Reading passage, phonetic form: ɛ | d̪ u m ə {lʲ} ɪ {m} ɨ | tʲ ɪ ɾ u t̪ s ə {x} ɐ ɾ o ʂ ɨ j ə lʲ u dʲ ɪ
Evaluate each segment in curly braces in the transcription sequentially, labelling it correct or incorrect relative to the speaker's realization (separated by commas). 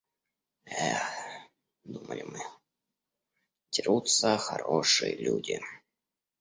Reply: correct, correct, correct